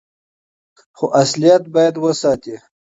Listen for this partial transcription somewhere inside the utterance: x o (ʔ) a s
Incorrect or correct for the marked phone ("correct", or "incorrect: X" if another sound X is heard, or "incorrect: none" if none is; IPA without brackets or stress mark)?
correct